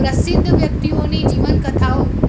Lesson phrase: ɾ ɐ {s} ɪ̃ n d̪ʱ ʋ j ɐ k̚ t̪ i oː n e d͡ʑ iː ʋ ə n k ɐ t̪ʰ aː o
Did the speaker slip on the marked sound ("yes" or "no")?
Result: no